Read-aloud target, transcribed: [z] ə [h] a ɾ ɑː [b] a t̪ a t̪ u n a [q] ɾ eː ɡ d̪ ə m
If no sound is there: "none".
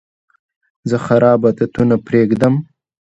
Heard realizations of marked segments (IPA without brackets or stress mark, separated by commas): z, x, b, p